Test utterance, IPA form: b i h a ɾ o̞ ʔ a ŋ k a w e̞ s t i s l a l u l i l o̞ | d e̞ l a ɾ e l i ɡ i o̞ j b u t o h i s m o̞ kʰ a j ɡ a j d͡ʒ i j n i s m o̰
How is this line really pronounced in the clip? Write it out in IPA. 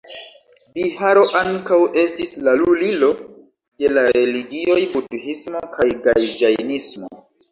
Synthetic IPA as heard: b i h a ɾ o̞ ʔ a ŋ k a w e̞ s t i s l a l u l i l o̞ | d e̞ l a ɾ e l i ɡ i o̞ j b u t u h i s m o̞ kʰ a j ɡ a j d͡ʒ a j n i s m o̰

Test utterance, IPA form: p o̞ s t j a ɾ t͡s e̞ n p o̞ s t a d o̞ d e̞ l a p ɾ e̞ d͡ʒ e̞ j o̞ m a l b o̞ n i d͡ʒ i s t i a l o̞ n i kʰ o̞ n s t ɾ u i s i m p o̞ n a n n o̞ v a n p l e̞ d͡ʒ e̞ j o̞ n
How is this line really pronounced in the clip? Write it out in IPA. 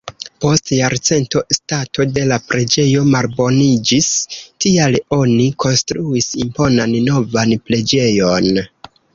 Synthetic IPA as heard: p o̞ s t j a ɾ t͡s e̞ n t o̞ s t a t o̞ d e̞ l a p ɾ e̞ d͡ʒ e̞ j o̞ m a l b o̞ n i d͡ʒ i s t i a l o̞ n i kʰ o̞ n s t ɾ u i s i m p o̞ n a n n o̞ v a n p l e̞ d͡ʒ e̞ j o̞ n

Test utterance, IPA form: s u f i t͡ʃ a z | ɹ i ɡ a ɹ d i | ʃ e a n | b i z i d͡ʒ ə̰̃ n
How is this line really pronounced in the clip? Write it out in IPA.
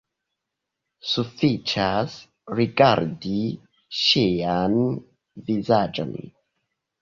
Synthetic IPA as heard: s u f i t͡ʃ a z | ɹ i ɡ a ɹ d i | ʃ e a n | v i z a d͡ʒ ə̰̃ n

